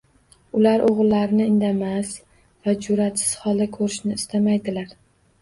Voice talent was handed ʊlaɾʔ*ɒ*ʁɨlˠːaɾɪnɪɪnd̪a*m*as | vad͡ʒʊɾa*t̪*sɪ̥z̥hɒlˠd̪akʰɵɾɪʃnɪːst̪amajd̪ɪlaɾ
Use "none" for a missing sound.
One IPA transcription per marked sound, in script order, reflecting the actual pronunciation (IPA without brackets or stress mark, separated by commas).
o, m, t̪